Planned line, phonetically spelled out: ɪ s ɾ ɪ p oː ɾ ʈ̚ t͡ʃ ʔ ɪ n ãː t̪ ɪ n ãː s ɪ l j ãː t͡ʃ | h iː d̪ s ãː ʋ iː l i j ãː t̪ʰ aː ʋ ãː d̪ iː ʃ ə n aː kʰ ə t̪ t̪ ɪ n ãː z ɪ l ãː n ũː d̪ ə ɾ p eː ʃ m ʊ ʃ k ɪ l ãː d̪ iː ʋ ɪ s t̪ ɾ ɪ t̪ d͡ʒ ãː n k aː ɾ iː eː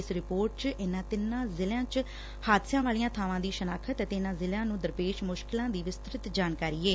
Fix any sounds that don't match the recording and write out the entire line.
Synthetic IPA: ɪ s ɾ ɪ p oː ɾ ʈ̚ t͡ʃ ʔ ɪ n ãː t̪ ɪ n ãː z ɪ l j ãː t͡ʃ | h aː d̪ s ãː ʋ aː l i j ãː t̪ʰ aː ʋ ãː d̪ iː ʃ ə n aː kʰ ə t̪ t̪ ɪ n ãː z ɪ l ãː n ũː d̪ ə ɾ p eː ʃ m ʊ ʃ k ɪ l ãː d̪ iː ʋ ɪ s t̪ ɾ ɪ t̪ d͡ʒ aː n k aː ɾ iː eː